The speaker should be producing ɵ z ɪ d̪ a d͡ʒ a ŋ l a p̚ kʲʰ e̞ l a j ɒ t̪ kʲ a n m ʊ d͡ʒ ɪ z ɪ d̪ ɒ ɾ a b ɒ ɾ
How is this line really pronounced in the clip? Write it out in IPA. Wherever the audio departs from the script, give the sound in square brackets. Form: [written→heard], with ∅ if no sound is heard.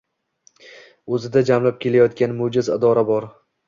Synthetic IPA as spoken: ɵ z ɪ d̪ a d͡ʒ a [ŋ→m] l a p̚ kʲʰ e̞ l a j ɒ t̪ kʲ a n m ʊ d͡ʒ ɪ z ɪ d̪ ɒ ɾ a b ɒ ɾ